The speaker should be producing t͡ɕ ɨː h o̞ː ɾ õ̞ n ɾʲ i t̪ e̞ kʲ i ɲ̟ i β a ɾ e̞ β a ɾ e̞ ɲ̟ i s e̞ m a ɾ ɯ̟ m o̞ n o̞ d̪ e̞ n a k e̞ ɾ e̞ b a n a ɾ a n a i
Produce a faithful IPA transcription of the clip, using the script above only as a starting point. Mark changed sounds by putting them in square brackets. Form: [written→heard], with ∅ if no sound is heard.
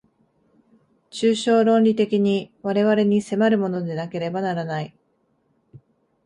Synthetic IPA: t͡ɕ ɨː [h→ɕ] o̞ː ɾ õ̞ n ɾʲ i t̪ e̞ kʲ i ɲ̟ i β a ɾ e̞ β a ɾ e̞ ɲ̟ i s e̞ m a ɾ ɯ̟ m o̞ n o̞ d̪ e̞ n a k e̞ ɾ e̞ b a n a ɾ a n a i

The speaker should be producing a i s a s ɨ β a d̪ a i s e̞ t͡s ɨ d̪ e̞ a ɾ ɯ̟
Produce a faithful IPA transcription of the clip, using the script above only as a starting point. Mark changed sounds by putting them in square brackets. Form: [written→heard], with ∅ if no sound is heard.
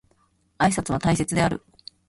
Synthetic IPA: a i s a [s→t͡s] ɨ β a [d̪→t̪] a i s e̞ t͡s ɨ d̪ e̞ a ɾ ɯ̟

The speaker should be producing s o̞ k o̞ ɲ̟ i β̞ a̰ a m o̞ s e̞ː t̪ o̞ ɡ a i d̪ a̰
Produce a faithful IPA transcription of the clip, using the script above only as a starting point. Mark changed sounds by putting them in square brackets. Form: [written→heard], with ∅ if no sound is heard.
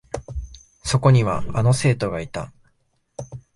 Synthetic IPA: s o̞ k o̞ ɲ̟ i β̞ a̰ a [m→n] o̞ s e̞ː t̪ o̞ ɡ a i [d̪→t̪] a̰

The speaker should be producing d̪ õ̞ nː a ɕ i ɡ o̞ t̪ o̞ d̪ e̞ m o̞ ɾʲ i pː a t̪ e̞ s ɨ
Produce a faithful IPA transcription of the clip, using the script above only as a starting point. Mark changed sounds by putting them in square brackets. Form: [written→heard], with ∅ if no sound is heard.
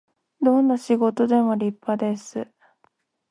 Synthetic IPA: d̪ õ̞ nː a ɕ i ɡ o̞ t̪ o̞ d̪ e̞ m o̞ ɾʲ i pː a [t̪→d̪] e̞ s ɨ

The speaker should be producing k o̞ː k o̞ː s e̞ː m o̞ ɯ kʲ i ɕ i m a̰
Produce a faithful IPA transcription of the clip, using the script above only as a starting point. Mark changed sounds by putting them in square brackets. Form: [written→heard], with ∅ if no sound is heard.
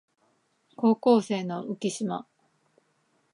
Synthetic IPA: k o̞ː k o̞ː s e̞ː [m→n] o̞ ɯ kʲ i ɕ i m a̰

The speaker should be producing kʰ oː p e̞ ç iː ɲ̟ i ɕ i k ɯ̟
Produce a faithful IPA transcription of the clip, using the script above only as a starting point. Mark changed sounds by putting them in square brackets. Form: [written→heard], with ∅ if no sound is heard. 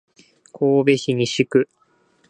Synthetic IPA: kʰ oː [p→b] e̞ ç [iː→i] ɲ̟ i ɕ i k ɯ̟

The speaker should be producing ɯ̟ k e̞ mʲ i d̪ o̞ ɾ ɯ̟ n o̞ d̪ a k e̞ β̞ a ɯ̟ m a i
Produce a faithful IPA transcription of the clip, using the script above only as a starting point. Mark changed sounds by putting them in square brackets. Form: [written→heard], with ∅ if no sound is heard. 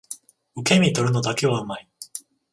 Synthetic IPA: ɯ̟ k e̞ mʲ i [d̪→t̪] o̞ ɾ ɯ̟ n o̞ d̪ a k e̞ β̞ a ɯ̟ m a i

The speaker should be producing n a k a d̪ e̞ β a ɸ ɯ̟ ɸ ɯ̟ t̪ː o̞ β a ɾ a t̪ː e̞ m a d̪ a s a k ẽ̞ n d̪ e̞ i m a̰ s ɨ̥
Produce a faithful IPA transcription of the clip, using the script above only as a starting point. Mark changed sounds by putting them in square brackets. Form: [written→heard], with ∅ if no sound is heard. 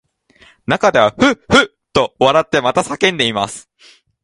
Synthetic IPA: n a k a d̪ e̞ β a ɸ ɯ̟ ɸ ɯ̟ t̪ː o̞ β a ɾ a t̪ː e̞ m a [d̪→t̪] a s a k ẽ̞ n d̪ e̞ i m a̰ s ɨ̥

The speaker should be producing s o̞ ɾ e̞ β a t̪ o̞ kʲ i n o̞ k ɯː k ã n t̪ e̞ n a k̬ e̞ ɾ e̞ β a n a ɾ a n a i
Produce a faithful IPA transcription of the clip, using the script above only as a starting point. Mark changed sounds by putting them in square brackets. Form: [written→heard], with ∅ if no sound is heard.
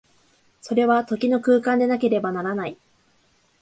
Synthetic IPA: s o̞ ɾ e̞ β a t̪ o̞ kʲ i n o̞ k ɯː k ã n [t̪→d̪] e̞ n a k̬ e̞ ɾ e̞ [β→b] a n a ɾ a n a i

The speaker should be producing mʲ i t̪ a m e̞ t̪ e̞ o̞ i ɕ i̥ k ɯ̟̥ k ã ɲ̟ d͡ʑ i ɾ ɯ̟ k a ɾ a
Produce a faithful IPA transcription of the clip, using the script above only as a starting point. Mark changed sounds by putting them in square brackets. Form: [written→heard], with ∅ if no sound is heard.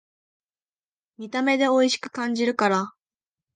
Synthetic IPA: mʲ i t̪ a m e̞ [t̪→d̪] e̞ o̞ i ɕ i̥ k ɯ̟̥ k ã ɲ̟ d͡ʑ i ɾ ɯ̟ k a ɾ a

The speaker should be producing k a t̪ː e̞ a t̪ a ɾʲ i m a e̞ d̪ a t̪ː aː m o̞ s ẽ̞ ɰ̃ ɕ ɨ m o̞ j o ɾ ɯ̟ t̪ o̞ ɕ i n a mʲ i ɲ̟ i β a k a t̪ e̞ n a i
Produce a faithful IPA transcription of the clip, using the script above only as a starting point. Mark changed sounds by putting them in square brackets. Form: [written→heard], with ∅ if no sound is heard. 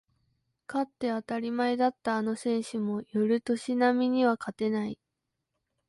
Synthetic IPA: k a t̪ː e̞ a t̪ a ɾʲ i m a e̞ d̪ a t̪ː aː [m→n] o̞ s ẽ̞ ɰ̃ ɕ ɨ m o̞ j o ɾ ɯ̟ t̪ o̞ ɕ i n a mʲ i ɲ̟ i β a k a t̪ e̞ n a i

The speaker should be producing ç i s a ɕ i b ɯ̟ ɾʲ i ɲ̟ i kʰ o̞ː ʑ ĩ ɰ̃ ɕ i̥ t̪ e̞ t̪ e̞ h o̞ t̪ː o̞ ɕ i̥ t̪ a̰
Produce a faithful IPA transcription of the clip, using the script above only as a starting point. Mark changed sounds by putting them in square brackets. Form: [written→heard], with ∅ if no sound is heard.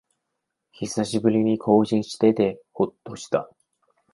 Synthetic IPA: ç i s a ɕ i b ɯ̟ ɾʲ i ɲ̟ i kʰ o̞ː ʑ ĩ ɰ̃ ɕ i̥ t̪ e̞ t̪ e̞ h o̞ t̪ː o̞ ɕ i̥ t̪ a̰

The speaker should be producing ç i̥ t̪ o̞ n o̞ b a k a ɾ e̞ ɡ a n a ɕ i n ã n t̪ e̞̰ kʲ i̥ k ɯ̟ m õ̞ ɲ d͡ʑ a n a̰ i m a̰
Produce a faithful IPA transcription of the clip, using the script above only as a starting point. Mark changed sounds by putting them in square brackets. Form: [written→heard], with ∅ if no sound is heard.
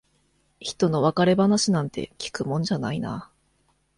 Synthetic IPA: ç i̥ t̪ o̞ n o̞ [b→β] a k a ɾ e̞ [ɡ→b] a n a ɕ i n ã n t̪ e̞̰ kʲ i̥ k ɯ̟ m õ̞ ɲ d͡ʑ a n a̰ i [m→n] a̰

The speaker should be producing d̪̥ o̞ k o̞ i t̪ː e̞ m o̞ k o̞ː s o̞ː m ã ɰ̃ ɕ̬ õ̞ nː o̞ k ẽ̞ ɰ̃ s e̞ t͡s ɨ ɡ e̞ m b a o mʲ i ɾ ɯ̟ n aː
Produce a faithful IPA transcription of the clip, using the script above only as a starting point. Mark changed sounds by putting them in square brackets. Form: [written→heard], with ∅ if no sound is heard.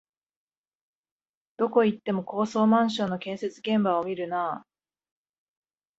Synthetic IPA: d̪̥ o̞ k o̞ i t̪ː e̞ m o̞ k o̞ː s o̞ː m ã ɰ̃ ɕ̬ õ̞ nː o̞ k ẽ̞ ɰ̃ s e̞ t͡s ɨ ɡ [e̞→ẽ̞] m b a o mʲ i ɾ ɯ̟ n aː

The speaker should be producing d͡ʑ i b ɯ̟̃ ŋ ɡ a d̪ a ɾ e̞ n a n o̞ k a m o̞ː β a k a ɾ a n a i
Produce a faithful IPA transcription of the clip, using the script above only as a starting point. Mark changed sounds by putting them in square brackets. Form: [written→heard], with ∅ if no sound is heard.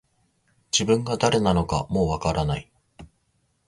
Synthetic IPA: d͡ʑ i b ɯ̟̃ ŋ ɡ a d̪ a ɾ e̞ n a n o̞ k a m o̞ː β a k a ɾ a n a i

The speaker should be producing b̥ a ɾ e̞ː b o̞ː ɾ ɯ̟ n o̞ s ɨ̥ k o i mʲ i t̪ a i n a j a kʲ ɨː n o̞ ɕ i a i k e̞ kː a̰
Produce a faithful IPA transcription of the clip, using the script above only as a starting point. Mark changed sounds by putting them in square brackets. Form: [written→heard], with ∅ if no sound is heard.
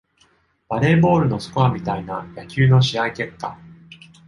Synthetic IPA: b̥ a ɾ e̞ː b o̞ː ɾ ɯ̟ n o̞ s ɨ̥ k o [i→a] mʲ i t̪ a i n a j a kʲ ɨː n o̞ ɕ i a i k e̞ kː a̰

